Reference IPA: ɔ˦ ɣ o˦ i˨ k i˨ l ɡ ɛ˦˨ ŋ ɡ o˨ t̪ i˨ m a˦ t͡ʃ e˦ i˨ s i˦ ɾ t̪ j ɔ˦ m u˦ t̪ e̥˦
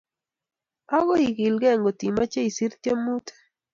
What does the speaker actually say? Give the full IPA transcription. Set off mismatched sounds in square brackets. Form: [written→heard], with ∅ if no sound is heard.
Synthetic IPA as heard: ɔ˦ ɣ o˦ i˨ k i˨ l ɡ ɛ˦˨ ŋ ɡ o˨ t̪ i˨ m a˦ t͡ʃ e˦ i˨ s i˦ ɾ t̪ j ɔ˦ m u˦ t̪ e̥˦

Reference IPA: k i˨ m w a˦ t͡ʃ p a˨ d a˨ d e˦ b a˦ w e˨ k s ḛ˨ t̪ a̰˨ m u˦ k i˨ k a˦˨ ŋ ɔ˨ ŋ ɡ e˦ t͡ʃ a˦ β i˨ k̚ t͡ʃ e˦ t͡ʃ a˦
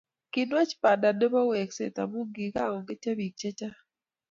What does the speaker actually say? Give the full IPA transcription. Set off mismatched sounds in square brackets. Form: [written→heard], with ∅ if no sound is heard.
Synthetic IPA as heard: k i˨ [m→n] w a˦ t͡ʃ p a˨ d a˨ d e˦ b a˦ w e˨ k s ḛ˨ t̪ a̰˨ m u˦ [k→ɡ] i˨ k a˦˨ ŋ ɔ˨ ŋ ɡ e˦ t͡ʃ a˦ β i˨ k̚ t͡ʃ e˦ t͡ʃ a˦

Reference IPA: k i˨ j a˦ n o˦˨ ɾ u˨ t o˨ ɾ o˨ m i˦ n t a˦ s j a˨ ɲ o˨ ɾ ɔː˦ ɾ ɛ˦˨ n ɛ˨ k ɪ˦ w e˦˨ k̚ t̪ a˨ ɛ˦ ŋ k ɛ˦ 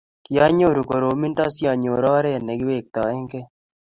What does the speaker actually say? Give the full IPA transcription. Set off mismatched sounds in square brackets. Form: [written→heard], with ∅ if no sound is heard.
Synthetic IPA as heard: k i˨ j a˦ [n→ɲ] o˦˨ ɾ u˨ [t→k] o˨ ɾ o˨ m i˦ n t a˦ s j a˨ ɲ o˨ ɾ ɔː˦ ɾ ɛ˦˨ n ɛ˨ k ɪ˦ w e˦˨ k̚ t̪ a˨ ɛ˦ ŋ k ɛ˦

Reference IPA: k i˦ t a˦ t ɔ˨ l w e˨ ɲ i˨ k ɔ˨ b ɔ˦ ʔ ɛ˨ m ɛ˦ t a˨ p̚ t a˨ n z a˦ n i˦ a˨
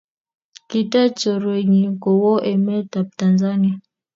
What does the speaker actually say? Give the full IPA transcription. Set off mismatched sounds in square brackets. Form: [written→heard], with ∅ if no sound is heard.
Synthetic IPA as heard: k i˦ t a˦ [t→t͡ʃ] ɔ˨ [l→ɾ] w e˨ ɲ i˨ k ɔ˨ [b→w] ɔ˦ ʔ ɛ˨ m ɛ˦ t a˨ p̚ t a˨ n z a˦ n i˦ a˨

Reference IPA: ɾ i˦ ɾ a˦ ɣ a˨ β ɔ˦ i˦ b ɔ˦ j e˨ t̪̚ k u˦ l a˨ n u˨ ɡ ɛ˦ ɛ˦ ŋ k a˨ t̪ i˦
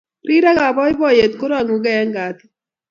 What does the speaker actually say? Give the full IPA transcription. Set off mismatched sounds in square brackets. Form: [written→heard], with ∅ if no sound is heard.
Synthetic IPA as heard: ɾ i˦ ɾ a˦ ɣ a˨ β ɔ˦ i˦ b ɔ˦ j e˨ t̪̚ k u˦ [l→ɾ] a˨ [n→ŋ] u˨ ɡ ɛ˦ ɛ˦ ŋ [k→ɡ] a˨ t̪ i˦

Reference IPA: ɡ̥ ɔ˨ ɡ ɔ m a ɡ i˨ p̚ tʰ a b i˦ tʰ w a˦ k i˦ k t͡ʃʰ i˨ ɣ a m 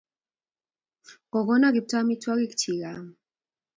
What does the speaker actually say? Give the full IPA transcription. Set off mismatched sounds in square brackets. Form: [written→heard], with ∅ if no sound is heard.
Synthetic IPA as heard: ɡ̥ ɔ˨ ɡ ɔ [m→n] a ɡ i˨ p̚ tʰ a [b→m] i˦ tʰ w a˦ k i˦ k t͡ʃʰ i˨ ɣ a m

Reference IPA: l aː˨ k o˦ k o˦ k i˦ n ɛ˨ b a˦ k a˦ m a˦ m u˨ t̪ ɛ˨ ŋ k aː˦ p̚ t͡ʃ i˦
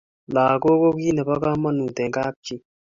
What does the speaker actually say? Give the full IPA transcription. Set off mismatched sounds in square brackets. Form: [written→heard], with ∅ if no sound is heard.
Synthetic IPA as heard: l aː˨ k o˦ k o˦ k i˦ n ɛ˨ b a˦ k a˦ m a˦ [m→n] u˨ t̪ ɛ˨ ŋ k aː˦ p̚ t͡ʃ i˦

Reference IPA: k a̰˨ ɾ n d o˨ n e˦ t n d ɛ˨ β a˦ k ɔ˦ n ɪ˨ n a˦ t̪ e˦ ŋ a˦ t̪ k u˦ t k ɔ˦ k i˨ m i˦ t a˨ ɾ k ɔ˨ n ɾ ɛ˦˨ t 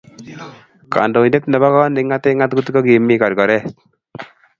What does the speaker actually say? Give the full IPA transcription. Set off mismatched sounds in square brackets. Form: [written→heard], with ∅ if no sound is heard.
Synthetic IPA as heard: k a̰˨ [ɾ→∅] n d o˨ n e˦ t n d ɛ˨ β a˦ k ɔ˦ n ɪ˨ [n→ŋ] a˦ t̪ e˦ ŋ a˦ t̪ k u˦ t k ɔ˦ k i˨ m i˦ [t→k] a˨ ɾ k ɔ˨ [n→∅] ɾ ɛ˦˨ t

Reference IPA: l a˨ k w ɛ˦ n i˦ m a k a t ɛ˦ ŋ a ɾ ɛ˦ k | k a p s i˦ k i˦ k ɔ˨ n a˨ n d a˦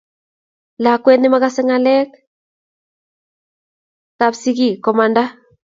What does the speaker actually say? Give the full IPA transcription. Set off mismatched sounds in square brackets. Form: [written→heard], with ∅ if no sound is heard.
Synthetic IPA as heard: l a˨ k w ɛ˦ n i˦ m a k a [t→s] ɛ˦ ŋ a [ɾ→l] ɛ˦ k | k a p s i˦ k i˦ k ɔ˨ [n→m] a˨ n d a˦

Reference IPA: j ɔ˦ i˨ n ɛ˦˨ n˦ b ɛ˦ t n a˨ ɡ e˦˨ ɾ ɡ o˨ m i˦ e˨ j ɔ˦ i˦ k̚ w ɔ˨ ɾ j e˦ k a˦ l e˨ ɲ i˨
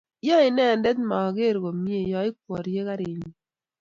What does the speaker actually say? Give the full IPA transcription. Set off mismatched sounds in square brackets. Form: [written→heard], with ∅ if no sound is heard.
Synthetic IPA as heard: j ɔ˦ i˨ n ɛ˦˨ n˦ [b→d] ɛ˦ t [n→m] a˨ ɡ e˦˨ ɾ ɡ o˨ m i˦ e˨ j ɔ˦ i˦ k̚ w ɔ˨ ɾ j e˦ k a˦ [l→ɾ] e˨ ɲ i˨

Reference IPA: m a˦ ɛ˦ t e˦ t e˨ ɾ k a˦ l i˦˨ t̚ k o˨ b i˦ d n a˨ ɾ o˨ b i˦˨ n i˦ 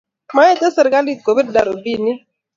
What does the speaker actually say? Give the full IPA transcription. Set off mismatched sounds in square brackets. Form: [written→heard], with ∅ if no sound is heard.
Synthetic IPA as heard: m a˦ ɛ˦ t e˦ [t→s] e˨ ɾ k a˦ l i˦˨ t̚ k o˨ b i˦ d [n→d] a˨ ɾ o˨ b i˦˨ n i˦

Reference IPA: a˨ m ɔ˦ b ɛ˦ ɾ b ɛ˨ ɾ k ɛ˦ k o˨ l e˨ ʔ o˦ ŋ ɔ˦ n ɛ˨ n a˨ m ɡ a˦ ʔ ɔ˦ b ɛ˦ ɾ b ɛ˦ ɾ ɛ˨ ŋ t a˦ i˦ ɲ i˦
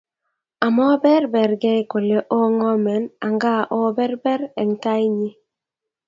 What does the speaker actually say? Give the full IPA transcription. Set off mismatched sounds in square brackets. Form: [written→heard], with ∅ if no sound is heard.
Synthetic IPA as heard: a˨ m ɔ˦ b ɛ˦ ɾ b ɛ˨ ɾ [k→ɡ] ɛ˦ k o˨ l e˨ ʔ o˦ ŋ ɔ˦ [n→m] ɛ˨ n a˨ [m→ŋ] ɡ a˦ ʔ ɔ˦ b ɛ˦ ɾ b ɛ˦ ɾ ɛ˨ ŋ t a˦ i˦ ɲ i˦

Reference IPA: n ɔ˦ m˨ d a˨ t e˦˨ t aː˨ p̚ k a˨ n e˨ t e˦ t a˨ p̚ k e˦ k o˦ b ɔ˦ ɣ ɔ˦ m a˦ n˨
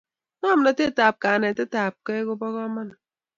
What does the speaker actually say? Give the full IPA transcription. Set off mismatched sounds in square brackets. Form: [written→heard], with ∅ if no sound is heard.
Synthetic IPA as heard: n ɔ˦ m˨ [d→n] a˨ t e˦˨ t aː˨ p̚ k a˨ n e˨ t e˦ t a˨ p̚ k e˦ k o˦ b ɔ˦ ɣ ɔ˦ m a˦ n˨

